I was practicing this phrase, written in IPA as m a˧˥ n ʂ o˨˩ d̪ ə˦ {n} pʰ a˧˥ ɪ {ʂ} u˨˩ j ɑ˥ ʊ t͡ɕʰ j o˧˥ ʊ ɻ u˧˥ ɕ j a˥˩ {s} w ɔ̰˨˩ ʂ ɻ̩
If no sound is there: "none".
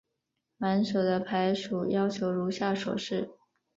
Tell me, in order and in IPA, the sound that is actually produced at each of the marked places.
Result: none, ʂ, ʂ

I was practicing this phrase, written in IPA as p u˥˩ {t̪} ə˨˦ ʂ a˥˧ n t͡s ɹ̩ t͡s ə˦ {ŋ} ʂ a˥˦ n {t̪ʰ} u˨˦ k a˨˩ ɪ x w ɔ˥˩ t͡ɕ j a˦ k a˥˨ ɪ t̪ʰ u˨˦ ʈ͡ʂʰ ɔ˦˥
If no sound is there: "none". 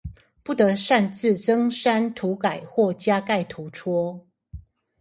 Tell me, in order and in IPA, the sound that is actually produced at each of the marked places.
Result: t̪, ŋ, t̪ʰ

